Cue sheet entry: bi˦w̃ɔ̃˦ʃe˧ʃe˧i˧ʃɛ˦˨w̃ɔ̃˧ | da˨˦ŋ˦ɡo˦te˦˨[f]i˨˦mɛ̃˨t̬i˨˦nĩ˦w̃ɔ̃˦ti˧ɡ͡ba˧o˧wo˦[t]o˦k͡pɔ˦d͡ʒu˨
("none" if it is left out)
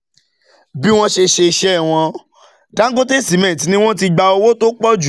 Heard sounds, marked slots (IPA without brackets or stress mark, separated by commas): s, t